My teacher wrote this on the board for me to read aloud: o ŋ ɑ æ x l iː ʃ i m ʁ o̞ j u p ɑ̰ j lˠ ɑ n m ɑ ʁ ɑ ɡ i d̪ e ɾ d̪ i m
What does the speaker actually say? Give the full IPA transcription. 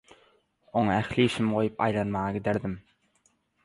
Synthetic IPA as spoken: o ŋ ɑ æ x l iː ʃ i m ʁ o̞ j u p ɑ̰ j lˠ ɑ n m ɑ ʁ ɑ ɡ i d̪ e ɾ d̪ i m

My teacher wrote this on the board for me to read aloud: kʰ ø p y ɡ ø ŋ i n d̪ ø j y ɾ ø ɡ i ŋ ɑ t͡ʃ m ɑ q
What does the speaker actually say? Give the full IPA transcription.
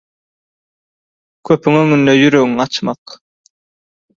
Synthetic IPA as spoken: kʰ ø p y ŋ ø ŋ y n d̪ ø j y ɾ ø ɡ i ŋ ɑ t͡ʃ m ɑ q

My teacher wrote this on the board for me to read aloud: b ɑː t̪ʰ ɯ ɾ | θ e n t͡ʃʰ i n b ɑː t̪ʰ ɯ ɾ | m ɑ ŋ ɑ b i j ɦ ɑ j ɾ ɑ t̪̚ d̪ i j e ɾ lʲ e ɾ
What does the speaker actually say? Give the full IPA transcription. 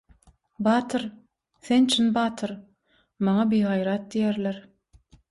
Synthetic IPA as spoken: b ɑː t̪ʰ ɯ ɾ | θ e n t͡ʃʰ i n b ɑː t̪ʰ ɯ ɾ | m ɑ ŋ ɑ b i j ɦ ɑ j ɾ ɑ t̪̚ d̪ i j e ɾ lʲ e ɾ

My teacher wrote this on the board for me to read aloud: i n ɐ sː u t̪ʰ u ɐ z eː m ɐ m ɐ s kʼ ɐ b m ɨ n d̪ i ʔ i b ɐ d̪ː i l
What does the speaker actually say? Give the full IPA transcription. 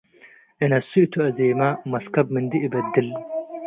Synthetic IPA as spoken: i n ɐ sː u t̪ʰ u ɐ z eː m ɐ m ɐ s k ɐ b m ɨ n d̪ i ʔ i b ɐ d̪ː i l

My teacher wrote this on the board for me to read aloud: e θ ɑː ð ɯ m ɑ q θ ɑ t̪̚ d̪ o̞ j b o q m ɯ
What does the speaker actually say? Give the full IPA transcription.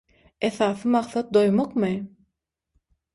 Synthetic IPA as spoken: e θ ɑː θ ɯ m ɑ q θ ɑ t̪̚ d̪ o̞ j m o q m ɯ

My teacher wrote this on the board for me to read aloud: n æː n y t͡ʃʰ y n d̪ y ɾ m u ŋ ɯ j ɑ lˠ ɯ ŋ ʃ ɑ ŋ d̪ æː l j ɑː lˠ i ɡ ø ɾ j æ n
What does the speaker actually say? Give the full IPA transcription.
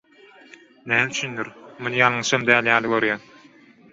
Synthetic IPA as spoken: n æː m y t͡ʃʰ y n d̪ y ɾ m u n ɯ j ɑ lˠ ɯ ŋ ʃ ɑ m d̪ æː l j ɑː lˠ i ɡ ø ɾ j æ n

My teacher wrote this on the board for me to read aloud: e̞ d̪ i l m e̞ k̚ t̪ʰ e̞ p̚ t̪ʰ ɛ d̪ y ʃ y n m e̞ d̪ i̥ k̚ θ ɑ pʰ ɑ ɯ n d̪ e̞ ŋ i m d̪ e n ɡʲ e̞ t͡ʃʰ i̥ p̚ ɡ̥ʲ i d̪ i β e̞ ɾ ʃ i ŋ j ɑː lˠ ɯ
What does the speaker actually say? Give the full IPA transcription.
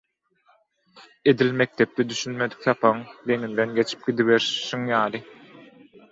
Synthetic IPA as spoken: e̞ d̪ i l m e̞ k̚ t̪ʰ e̞ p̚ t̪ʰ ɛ d̪ y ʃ y n m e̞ d̪ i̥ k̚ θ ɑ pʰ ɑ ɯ ŋ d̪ e̞ ŋ i n d̪ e n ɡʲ e̞ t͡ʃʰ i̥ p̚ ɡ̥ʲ i d̪ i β e̞ ɾ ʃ i ŋ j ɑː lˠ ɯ

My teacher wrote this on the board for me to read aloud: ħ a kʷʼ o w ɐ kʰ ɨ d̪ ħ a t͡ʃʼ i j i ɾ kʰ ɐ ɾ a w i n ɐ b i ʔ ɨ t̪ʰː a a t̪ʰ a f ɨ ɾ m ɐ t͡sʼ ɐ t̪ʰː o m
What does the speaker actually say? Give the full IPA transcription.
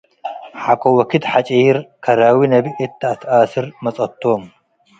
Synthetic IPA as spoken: ħ a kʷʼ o w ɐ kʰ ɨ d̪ ħ a t͡ʃʼ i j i ɾ kʰ ɐ ɾ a w i n ɐ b i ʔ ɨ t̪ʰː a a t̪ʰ a s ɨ ɾ m ɐ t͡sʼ ɐ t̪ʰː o m

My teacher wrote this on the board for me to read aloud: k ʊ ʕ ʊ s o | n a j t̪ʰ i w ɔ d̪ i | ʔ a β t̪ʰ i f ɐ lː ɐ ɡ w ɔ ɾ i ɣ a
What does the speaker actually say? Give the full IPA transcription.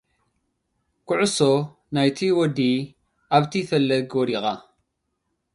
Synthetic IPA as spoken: k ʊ ʕ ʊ s o | n a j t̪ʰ i w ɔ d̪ i | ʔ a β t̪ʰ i f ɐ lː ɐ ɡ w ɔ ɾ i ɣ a

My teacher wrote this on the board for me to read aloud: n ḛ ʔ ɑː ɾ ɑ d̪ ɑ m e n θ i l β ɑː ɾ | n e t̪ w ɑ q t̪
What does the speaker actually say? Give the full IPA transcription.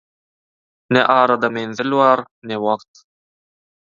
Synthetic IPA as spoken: n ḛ ʔ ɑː ɾ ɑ d̪ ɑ m e n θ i l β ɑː ɾ | n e w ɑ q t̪

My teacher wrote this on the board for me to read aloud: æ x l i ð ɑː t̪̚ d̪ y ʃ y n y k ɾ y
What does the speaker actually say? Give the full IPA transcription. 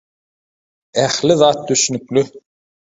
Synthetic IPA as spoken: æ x l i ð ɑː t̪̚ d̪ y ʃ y n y k l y

